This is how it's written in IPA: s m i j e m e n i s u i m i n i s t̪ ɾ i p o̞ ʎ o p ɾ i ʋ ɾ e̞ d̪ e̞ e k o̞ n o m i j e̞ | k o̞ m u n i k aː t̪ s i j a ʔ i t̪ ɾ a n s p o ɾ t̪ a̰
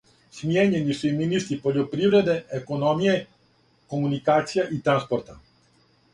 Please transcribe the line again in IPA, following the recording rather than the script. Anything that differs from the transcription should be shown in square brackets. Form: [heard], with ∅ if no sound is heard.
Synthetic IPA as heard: s m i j e [ɲ] e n i s u i m i n i s t̪ ɾ i p o̞ ʎ o p ɾ i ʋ ɾ e̞ d̪ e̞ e k o̞ n o m i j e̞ | k o̞ m u n i k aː t̪ s i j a ʔ i t̪ ɾ a n s p o ɾ t̪ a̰